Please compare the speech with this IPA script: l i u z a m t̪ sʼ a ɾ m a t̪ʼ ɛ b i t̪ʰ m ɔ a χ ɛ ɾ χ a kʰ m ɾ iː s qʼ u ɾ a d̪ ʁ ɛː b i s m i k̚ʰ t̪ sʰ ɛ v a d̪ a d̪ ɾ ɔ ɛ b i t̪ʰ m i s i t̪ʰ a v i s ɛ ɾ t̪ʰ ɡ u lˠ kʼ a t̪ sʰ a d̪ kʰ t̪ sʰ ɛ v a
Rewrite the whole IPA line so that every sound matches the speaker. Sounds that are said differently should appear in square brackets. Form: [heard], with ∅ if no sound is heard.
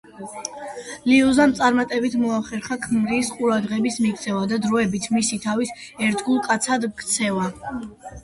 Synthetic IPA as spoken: l i u z a m t̪ sʼ a ɾ m a t̪ʼ ɛ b i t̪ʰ m ɔ a χ ɛ ɾ χ a kʰ m ɾ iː s qʼ u ɾ a d̪ ʁ [ɛ] b i s m i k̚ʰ t̪ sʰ ɛ v a d̪ a d̪ ɾ ɔ ɛ b i t̪ʰ m i s i t̪ʰ a v i s ɛ ɾ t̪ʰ ɡ u lˠ kʼ a t̪ sʰ a d̪ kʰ t̪ sʰ ɛ v a